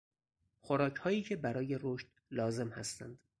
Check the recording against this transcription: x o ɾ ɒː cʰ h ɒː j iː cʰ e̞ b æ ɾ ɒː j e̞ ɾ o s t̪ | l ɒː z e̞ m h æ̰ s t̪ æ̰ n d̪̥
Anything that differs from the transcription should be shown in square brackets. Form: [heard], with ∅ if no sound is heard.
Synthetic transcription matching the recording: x o ɾ ɒː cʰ h ɒː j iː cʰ e̞ b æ ɾ ɒː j e̞ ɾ o [ʃ] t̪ | l ɒː z e̞ m h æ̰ s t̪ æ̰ n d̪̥